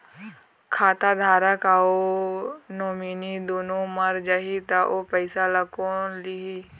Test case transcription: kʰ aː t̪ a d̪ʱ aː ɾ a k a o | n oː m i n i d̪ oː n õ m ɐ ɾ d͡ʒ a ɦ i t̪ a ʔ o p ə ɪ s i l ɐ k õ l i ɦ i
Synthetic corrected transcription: kʰ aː t̪ a d̪ʱ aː ɾ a k a o | n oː m i n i d̪ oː n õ m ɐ ɾ d͡ʒ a ɦ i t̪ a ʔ o p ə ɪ s a l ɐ k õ l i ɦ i